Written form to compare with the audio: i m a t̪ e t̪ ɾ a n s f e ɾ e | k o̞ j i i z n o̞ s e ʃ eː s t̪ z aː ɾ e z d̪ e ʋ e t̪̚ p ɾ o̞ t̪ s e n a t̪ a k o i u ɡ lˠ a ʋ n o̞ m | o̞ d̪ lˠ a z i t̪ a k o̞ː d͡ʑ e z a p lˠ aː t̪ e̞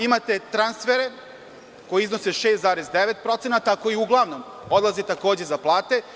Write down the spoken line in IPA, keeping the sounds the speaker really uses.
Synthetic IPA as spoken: i m a t̪ e t̪ ɾ a n s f e ɾ e | k o̞ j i i z n o̞ s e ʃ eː s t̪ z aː ɾ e z d̪ e ʋ e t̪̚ p ɾ o̞ t̪ s e n a t̪ a k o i u ɡ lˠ a ʋ n o̞ m | o̞ d̪ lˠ a z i t̪ a k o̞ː d͡ʑ e z a p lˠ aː t̪ e̞